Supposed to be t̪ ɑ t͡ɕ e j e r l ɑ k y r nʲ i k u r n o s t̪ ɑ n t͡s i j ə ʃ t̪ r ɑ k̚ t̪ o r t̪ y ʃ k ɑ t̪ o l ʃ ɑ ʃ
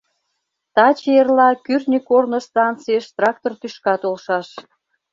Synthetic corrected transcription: t̪ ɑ t͡ɕ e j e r l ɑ k y r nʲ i k o r n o s t̪ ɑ n t͡s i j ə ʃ t̪ r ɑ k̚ t̪ o r t̪ y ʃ k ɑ t̪ o l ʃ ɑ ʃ